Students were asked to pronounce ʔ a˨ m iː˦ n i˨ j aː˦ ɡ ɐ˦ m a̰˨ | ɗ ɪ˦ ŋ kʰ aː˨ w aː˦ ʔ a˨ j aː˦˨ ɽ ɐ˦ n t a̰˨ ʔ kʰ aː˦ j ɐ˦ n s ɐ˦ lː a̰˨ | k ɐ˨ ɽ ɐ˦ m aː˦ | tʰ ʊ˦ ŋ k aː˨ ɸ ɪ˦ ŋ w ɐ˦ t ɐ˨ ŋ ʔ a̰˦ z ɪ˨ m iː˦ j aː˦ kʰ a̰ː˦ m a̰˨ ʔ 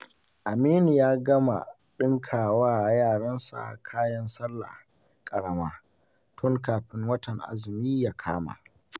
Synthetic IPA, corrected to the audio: ʔ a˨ m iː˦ n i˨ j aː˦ ɡ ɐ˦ m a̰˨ | ɗ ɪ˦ ŋ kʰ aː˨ w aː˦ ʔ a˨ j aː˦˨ ɽ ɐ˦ n s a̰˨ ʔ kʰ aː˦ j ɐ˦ n s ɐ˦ lː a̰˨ | kʼ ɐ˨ ɽ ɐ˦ m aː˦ | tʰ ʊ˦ ŋ k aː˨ ɸ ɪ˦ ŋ w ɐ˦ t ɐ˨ ŋ ʔ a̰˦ z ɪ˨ m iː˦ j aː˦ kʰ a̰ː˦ m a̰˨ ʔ

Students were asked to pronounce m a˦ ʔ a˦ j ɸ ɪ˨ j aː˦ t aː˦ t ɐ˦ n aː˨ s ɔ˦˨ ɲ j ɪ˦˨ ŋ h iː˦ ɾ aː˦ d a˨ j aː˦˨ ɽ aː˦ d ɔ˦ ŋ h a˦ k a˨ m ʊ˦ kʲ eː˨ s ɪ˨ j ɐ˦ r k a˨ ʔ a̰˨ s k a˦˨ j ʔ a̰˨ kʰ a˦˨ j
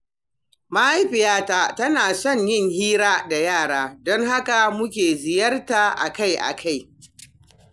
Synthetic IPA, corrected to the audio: m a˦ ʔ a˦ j ɸ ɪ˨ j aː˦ t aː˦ t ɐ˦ n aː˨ s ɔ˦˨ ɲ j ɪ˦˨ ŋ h iː˦ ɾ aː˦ d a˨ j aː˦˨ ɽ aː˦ d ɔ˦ ŋ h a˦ k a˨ m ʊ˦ kʲ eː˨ z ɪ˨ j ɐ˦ r t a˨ ʔ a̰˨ k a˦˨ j ʔ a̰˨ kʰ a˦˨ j

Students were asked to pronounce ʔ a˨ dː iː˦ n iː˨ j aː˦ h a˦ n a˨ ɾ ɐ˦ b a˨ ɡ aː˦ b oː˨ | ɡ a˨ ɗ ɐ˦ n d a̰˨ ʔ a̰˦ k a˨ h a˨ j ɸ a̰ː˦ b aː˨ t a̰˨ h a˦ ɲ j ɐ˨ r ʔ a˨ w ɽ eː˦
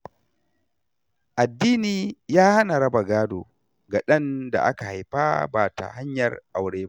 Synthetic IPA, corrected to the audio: ʔ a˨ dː iː˦ n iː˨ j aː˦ h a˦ n a˨ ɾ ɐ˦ b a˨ ɡ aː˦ d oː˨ | ɡ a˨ ɗ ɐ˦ n d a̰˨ ʔ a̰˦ k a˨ h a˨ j ɸ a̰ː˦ b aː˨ t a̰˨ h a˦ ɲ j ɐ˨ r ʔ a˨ w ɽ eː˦

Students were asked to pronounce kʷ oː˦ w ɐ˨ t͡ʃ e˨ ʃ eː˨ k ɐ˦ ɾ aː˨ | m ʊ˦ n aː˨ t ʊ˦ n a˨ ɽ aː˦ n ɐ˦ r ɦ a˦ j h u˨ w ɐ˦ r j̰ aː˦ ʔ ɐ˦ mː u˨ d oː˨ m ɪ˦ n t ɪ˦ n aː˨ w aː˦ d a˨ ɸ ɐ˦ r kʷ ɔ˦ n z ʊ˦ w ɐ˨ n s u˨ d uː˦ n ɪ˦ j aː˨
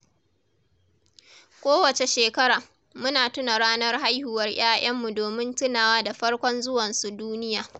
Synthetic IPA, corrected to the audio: kʷ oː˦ w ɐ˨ t͡ʃ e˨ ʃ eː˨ k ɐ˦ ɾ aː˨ | m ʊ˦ n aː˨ t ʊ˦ n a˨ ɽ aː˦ n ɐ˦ r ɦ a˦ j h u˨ w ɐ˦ r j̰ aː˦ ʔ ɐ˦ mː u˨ d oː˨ m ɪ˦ n t ɪ˦ n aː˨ w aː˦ d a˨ ɸ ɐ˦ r kʷ ɔ˦ n z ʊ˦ w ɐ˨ n s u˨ d uː˦ n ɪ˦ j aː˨

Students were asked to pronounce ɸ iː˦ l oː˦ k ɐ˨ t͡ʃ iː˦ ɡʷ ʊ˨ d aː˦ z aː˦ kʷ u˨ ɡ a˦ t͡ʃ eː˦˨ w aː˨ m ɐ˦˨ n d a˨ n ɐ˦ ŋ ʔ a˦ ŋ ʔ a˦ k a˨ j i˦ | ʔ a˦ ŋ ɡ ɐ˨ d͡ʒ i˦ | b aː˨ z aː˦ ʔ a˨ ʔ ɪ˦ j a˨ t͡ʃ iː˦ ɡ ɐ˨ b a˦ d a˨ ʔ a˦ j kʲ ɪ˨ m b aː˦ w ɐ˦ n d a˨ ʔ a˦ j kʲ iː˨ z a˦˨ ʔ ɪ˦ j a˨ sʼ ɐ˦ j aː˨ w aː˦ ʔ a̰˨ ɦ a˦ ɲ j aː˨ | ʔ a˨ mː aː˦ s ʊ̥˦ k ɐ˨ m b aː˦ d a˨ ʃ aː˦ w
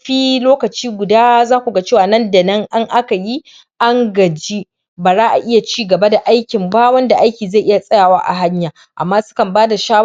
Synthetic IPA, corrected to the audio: ɸ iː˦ l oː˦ k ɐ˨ t͡ʃ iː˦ ɡʷ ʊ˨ d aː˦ z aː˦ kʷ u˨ ɡ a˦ t͡ʃ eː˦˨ w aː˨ n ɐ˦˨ n d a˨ n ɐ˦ ŋ ʔ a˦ ŋ ʔ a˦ k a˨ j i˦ | ʔ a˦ ŋ ɡ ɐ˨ d͡ʒ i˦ | b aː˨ z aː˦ ʔ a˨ ʔ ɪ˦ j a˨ t͡ʃ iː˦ ɡ ɐ˨ b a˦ d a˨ ʔ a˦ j kʲ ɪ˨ m b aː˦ w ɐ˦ n d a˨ ʔ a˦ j kʲ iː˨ z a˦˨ ʔ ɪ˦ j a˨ sʼ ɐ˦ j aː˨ w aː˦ ʔ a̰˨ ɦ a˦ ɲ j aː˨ | ʔ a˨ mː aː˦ s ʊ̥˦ k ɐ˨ m b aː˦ d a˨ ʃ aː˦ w

